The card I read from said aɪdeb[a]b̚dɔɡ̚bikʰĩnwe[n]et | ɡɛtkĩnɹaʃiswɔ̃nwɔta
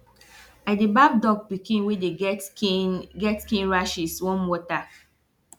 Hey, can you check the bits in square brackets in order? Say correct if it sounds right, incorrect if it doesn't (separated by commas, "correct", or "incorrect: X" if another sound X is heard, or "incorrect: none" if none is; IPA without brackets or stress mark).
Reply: correct, incorrect: d